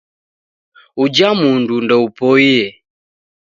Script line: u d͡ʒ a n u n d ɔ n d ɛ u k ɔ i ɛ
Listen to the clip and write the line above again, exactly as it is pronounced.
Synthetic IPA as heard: u d͡ʒ a m u n d u n d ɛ u p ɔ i ɛ